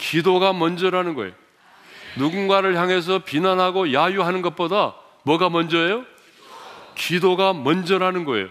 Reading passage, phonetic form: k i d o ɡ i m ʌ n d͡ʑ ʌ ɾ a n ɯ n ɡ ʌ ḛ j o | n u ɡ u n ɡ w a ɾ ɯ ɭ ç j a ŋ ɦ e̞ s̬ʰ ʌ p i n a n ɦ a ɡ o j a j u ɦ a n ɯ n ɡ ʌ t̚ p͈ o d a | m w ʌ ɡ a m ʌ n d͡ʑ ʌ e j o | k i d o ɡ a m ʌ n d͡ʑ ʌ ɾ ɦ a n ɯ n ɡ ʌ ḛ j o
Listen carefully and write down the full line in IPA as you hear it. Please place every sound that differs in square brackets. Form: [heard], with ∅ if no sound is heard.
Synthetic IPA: k i d o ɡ [a] m ʌ n d͡ʑ ʌ ɾ a n ɯ n ɡ ʌ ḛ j o | n u ɡ u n ɡ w a ɾ ɯ ɭ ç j a ŋ ɦ e̞ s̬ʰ ʌ p i n a n ɦ a ɡ o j a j u ɦ a n ɯ n ɡ ʌ t̚ p͈ o d a | m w ʌ ɡ a m ʌ n d͡ʑ ʌ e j o | k i d o ɡ a m ʌ n d͡ʑ ʌ ɾ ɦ a n ɯ n ɡ ʌ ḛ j o